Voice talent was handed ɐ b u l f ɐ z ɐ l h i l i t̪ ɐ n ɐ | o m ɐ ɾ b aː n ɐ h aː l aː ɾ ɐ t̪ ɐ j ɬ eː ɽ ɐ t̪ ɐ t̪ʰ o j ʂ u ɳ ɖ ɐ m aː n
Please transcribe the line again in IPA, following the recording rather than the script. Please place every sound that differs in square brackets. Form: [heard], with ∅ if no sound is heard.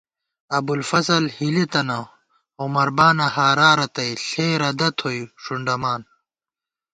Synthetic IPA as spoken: ɐ b u l f ɐ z ɐ l h i l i t̪ ɐ n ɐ | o m ɐ ɾ b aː n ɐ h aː [ɾ] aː ɾ ɐ t̪ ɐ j ɬ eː [ɾ] ɐ [d̪] ɐ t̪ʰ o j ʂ u ɳ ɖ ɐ m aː n